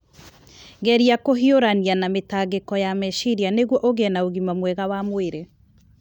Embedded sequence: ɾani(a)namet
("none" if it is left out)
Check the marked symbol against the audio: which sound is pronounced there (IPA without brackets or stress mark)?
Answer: a